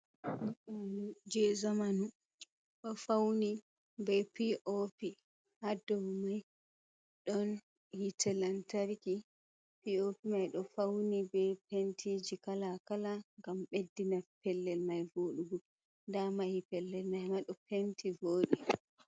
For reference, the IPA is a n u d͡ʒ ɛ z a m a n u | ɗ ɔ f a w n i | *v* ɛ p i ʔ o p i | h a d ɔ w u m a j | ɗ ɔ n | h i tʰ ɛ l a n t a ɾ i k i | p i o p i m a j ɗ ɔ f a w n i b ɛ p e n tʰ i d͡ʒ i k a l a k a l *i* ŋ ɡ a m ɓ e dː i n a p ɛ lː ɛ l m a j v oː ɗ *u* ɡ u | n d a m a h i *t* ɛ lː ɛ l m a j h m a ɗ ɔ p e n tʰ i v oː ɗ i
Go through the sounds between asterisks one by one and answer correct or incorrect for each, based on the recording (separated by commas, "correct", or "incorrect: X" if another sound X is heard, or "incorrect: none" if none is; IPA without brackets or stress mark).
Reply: incorrect: b, incorrect: a, correct, incorrect: p